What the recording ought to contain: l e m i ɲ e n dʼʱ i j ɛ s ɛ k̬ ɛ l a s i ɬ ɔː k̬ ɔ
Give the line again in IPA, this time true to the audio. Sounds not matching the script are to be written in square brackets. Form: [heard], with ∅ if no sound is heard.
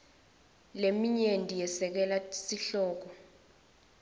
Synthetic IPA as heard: l e m i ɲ e n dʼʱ i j ɛ s ɛ k̬ ɛ l a s i ɬ ɔː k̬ ɔ